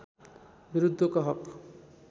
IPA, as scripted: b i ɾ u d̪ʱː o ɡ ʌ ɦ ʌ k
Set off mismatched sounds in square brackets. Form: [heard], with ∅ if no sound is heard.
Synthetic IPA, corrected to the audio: b i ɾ u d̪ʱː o [k] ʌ ɦ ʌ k